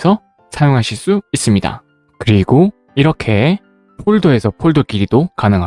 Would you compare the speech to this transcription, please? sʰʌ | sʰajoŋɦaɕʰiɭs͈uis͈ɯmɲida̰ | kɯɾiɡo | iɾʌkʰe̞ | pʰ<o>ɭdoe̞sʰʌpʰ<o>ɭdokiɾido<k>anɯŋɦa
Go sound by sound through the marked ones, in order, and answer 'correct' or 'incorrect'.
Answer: correct, correct, correct

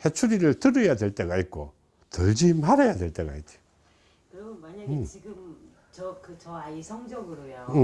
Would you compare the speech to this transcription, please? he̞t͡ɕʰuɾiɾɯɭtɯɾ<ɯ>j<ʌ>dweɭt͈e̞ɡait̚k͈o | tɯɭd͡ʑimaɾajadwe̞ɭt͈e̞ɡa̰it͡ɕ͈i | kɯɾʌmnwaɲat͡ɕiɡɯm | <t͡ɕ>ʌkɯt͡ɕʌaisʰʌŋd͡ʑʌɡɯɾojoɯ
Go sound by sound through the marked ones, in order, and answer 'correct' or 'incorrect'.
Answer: correct, incorrect, correct

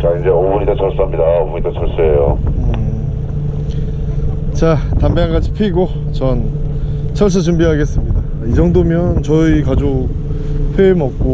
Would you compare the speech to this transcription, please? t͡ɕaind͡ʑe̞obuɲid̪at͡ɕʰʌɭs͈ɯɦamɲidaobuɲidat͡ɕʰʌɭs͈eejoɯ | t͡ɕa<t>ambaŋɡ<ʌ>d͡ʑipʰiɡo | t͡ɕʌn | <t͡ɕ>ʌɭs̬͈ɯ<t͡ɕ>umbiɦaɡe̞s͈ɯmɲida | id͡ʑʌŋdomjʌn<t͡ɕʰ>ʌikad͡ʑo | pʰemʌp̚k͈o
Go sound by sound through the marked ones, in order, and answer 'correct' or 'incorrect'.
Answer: correct, incorrect, incorrect, correct, incorrect

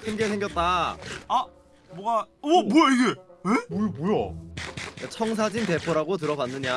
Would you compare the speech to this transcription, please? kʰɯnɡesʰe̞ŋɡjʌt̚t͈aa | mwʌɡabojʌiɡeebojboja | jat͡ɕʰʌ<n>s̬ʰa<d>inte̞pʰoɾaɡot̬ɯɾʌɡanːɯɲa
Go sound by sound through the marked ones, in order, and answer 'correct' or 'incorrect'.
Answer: incorrect, incorrect

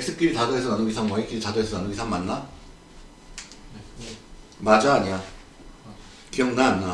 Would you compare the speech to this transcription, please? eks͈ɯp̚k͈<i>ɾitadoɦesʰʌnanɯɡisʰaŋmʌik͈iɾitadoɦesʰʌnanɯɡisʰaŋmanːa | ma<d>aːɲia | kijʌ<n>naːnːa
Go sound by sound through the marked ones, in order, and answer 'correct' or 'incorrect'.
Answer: correct, incorrect, incorrect

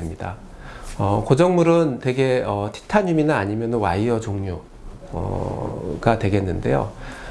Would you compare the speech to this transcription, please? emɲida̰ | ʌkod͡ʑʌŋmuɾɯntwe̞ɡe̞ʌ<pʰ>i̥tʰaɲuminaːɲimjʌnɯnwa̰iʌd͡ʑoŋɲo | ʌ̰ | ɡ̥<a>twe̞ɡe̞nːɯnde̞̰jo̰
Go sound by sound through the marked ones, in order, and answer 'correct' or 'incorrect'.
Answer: incorrect, correct

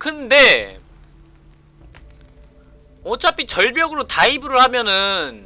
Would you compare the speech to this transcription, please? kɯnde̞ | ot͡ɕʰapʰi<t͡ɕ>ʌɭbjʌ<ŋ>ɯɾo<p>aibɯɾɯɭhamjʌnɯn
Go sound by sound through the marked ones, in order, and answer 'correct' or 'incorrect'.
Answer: correct, incorrect, incorrect

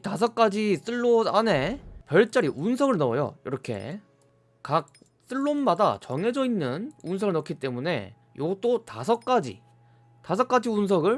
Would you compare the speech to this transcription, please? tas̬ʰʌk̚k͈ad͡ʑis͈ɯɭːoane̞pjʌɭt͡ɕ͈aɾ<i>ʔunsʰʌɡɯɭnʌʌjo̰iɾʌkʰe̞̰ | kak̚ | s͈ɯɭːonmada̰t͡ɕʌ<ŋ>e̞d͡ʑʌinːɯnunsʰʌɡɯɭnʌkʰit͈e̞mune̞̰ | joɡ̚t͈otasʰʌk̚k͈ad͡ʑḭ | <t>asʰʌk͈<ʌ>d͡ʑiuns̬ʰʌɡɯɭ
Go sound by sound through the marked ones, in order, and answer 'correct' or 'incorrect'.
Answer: correct, correct, correct, incorrect

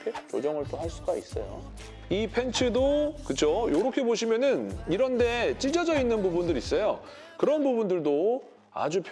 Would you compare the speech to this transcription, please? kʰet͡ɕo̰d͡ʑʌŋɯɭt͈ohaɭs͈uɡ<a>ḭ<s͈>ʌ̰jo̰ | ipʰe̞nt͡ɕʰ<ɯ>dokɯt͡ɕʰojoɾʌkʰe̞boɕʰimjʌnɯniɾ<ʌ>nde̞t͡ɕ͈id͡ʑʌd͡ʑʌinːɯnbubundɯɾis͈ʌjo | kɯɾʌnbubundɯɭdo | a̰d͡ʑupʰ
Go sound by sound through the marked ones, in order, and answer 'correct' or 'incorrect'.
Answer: correct, correct, correct, correct

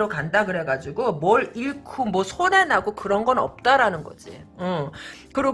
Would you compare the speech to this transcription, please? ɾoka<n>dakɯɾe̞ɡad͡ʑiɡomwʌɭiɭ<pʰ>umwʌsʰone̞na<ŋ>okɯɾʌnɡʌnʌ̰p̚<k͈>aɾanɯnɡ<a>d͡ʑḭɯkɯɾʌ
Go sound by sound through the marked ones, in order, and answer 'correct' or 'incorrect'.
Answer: correct, incorrect, incorrect, incorrect, incorrect

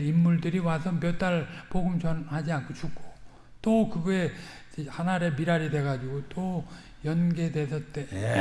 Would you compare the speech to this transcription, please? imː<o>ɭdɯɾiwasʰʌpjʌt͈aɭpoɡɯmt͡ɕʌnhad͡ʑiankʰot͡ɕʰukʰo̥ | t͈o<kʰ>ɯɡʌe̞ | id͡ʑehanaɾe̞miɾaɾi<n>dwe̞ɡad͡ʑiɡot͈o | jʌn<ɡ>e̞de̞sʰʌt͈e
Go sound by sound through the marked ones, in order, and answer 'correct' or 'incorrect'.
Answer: incorrect, incorrect, incorrect, correct

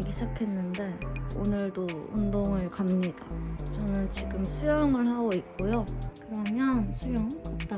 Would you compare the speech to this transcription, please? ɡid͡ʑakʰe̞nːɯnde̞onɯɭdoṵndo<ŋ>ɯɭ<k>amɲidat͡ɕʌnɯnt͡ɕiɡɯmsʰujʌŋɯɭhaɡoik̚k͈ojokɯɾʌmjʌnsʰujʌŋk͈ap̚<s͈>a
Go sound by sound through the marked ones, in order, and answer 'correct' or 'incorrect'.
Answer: correct, correct, incorrect

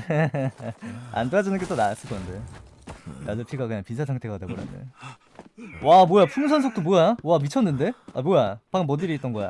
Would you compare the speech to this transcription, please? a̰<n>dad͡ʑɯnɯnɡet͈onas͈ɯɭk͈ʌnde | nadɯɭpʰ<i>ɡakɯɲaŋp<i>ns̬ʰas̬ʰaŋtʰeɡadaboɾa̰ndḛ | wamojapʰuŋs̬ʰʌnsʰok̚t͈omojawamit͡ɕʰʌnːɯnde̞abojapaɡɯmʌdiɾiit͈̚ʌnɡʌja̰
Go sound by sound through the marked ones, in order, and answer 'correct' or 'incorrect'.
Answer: correct, correct, correct

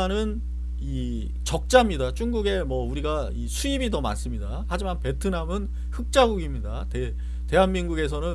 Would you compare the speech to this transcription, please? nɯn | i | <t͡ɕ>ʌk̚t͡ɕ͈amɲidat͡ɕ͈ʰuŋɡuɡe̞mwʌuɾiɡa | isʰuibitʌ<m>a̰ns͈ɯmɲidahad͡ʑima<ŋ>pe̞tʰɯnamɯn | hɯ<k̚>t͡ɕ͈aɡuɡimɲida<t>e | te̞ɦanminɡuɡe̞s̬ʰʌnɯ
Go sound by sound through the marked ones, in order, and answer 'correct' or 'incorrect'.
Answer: correct, correct, incorrect, correct, correct

